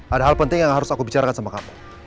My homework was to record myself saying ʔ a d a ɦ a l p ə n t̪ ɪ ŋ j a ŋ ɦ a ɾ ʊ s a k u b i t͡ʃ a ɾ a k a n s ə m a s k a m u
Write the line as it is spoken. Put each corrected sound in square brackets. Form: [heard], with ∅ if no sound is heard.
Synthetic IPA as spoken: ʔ a d a ɦ a l p ə n t̪ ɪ ŋ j a ŋ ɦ a ɾ ʊ s a k u b i t͡ʃ a ɾ a k a n s [a] m a [∅] k a m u